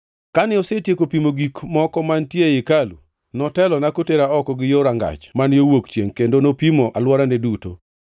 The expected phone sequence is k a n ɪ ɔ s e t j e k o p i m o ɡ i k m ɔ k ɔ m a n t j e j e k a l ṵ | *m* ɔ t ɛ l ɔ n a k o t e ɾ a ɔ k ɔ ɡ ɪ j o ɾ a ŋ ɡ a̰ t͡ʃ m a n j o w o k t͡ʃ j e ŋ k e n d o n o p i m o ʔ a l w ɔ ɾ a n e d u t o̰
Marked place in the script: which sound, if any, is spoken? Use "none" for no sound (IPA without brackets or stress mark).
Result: n